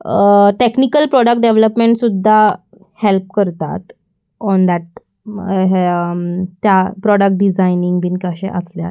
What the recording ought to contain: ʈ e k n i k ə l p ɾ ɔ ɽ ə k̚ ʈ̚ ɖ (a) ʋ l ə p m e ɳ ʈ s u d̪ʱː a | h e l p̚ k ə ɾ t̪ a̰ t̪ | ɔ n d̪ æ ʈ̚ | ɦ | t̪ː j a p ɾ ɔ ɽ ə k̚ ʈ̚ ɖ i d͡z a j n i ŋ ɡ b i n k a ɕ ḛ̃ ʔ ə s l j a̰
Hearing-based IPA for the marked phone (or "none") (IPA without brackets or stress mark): e